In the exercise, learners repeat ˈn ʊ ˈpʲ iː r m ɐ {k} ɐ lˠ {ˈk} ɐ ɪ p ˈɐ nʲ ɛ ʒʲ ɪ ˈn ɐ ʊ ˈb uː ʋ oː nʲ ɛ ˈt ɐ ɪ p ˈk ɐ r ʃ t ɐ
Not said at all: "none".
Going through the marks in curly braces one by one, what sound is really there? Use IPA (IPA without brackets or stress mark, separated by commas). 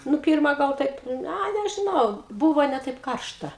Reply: ɡ, t